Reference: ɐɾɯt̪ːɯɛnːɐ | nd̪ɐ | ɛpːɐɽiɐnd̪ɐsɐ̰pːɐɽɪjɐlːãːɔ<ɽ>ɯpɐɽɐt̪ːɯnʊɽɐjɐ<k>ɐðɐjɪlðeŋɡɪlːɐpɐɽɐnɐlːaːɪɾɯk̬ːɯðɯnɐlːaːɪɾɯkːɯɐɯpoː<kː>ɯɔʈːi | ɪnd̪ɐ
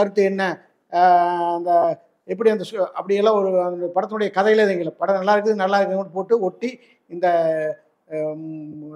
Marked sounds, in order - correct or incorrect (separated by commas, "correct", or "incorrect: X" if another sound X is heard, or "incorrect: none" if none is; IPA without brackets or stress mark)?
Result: incorrect: ɾ, correct, incorrect: ʈː